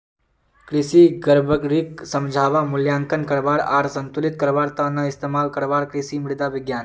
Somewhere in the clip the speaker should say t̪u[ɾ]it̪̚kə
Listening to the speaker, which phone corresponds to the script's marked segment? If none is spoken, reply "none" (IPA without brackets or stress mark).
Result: l